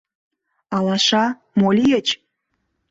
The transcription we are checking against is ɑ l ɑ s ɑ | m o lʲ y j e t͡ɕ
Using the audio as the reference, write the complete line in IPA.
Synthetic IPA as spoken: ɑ l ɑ ʃ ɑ | m o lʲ i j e t͡ɕ

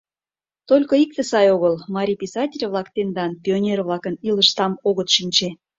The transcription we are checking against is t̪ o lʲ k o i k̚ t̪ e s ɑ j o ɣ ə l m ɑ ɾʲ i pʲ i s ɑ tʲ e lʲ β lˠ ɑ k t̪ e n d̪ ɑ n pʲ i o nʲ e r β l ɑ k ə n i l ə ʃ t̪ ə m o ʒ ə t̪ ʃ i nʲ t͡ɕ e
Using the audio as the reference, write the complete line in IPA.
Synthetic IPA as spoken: t̪ o lʲ k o i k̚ t̪ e s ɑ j o ɣ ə l m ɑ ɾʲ i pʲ i s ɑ tʲ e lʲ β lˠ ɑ k t̪ e n d̪ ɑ n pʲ i o nʲ e r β l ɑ k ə n i l ə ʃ t̪ ɑ m o ɣ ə t̪ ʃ i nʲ t͡ɕ e

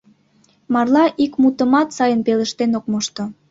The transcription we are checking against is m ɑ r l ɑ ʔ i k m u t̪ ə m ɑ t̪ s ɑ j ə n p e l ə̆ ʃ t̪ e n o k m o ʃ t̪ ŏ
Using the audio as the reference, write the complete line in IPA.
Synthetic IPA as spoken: m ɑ r l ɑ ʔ i k m u t̪ ə m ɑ t̪ s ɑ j ə n p e l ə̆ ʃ t̪ e n o k m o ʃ t̪ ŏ

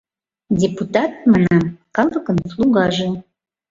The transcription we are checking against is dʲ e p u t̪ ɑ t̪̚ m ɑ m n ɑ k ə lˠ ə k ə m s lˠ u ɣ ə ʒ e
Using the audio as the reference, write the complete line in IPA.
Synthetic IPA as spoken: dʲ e p u t̪ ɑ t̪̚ m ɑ n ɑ k ɑ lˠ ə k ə n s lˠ u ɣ ɑ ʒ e

